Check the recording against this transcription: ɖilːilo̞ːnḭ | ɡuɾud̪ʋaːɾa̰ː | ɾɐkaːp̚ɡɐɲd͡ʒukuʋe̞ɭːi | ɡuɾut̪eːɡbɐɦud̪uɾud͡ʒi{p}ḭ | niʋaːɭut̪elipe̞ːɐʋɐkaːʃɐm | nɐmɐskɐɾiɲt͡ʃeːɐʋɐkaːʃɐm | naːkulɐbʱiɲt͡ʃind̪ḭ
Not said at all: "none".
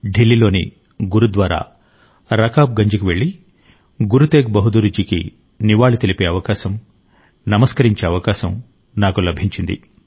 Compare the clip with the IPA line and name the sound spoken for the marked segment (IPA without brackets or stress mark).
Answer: k